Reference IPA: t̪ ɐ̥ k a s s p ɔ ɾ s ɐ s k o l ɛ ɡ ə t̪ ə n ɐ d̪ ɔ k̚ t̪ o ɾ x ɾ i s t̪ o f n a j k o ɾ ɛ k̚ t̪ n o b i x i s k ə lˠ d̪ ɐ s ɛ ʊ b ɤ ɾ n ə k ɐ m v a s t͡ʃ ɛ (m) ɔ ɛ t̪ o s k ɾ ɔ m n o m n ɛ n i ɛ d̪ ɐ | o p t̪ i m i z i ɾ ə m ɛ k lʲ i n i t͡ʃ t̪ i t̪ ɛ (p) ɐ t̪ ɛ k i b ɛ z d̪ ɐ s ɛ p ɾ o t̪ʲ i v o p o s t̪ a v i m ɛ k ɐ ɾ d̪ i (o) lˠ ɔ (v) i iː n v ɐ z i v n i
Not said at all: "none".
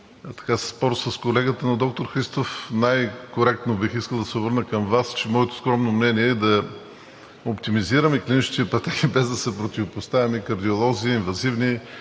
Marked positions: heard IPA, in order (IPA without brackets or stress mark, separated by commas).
m, p, o, z